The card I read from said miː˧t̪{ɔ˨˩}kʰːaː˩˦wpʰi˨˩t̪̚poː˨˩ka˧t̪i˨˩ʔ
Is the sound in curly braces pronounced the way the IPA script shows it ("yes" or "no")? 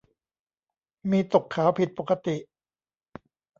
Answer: no